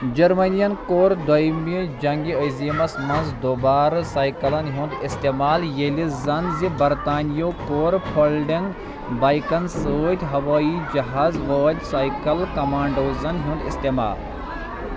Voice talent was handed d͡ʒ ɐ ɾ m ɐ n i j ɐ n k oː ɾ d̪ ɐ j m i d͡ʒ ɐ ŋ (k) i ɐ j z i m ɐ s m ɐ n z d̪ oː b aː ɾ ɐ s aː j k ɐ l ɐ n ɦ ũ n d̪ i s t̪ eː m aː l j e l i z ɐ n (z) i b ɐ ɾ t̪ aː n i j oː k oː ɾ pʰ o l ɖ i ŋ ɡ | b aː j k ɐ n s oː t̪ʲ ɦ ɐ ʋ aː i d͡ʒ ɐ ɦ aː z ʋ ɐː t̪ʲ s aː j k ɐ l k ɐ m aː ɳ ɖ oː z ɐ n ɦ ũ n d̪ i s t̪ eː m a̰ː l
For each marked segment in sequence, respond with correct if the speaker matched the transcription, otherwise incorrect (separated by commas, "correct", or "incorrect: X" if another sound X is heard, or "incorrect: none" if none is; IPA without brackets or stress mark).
incorrect: ɡ, correct